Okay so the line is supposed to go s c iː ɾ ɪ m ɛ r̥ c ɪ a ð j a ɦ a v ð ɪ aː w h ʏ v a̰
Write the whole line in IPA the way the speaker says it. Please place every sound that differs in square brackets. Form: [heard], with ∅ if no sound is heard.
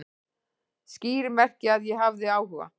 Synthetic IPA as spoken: s c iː ɾ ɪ m ɛ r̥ c ɪ a ð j [ɛ] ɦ a v ð ɪ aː w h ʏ v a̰